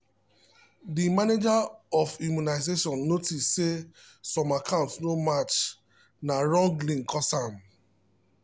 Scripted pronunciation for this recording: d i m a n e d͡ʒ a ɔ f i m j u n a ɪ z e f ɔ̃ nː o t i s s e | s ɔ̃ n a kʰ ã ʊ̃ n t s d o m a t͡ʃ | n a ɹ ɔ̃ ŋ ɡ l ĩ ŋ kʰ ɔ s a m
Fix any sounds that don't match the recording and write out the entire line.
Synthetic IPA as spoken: d i m a n e d͡ʒ a ɔ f i m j u n a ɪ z e ʃ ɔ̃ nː o t i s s e | s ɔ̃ m a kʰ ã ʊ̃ n t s n o m a t͡ʃ | n a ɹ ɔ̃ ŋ ɡ l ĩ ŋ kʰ ɔ s a m